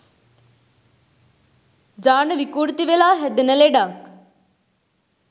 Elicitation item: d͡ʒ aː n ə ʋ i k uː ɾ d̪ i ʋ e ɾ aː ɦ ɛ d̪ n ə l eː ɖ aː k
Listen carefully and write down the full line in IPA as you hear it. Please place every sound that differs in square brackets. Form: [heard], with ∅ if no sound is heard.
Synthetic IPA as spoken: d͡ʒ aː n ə ʋ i k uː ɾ [t̪] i ʋ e [l] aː ɦ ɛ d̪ n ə l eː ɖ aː k